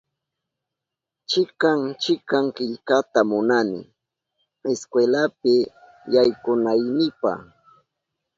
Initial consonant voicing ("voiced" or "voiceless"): voiceless